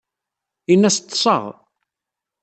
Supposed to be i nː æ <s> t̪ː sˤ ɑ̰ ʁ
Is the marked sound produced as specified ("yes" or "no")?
yes